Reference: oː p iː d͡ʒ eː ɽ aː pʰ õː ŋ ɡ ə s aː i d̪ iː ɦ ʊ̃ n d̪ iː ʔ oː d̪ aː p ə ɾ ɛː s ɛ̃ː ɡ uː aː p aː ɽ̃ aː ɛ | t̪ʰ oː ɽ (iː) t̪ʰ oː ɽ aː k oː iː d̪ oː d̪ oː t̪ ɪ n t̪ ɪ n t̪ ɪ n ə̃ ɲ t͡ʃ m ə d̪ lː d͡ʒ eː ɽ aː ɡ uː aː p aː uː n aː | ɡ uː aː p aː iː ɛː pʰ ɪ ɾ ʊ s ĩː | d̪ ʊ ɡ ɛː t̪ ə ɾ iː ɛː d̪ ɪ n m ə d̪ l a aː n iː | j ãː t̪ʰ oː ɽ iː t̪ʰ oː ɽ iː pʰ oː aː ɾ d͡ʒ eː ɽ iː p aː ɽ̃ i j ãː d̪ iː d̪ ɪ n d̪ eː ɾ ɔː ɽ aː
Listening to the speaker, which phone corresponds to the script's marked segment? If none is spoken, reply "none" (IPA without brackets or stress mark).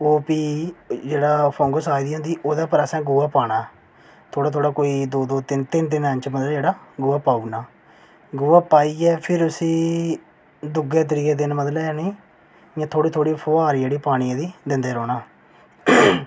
aː